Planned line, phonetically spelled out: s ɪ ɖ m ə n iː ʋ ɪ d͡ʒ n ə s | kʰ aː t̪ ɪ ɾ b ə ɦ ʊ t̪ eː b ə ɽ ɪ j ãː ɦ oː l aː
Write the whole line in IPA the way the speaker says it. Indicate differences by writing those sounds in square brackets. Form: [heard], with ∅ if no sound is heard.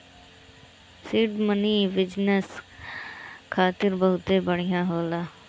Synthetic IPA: s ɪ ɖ m ə n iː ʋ ɪ d͡ʒ n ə s | kʰ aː t̪ ɪ ɾ b ə ɦ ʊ t̪ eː b ə ɽ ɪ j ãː ɦ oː l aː